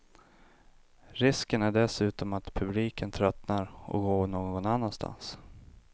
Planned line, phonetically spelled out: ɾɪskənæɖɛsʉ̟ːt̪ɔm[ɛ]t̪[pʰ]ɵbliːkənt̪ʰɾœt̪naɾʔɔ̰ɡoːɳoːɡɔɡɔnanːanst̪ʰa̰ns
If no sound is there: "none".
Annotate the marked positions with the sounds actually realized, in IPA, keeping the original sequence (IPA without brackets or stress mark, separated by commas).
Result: a, pʰ